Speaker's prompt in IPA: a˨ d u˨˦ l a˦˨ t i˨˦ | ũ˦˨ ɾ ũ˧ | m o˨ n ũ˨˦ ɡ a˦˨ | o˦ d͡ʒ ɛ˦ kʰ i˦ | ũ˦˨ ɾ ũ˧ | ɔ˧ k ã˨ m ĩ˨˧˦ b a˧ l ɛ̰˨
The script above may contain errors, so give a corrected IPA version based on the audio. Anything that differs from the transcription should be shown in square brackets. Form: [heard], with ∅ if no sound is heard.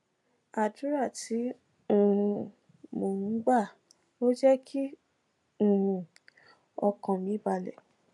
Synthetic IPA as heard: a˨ d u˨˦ [ɾ] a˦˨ t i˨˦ | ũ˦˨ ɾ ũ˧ | m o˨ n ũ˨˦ [ɡ͡b] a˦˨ | o˦ d͡ʒ ɛ˦ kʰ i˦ | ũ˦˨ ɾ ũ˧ | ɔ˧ k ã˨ m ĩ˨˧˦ b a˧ l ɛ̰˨